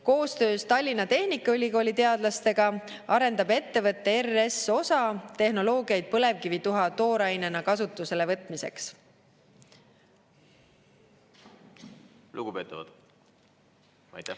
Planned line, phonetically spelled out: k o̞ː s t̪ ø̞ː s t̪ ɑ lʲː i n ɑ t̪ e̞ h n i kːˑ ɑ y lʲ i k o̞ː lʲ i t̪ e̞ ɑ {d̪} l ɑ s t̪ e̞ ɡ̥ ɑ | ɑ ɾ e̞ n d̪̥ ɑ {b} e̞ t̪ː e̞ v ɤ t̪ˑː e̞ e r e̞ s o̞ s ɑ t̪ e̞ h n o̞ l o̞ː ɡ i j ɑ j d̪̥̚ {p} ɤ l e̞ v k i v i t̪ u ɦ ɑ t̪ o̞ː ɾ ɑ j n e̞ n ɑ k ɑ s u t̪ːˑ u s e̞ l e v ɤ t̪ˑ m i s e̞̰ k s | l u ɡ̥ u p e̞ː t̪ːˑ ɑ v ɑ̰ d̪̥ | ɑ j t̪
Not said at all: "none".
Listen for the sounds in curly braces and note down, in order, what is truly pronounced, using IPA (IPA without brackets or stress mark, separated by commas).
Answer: d̪, b, p